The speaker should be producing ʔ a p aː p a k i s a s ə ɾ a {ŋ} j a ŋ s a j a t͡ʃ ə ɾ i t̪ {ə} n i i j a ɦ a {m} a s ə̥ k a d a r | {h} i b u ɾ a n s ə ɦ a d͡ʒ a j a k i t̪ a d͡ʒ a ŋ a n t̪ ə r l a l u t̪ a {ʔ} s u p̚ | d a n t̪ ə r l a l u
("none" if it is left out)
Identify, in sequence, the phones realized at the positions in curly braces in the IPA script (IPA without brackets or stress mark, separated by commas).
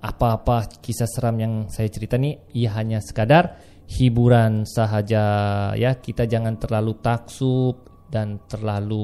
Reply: m, a, ɲ, h, k